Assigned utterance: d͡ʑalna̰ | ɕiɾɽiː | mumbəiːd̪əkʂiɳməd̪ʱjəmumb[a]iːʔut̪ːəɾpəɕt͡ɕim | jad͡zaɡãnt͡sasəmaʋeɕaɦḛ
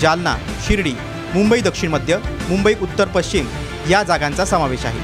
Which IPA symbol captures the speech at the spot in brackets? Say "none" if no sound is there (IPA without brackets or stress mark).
ə